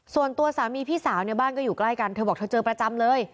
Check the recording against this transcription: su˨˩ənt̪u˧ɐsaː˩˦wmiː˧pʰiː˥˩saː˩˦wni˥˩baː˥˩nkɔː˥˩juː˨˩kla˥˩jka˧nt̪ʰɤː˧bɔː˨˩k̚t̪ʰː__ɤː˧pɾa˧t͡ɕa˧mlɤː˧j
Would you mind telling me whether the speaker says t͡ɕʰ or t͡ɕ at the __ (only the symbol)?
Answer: t͡ɕ